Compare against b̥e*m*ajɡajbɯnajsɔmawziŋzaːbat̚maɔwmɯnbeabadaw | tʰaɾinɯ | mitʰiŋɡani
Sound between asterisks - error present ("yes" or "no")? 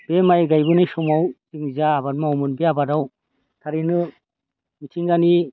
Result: no